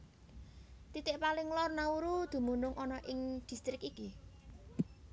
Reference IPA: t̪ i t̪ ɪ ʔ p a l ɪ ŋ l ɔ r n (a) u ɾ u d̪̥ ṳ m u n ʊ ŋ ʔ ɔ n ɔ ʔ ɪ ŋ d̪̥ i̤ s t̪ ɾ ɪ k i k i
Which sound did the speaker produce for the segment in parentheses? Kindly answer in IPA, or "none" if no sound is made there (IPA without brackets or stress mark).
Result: a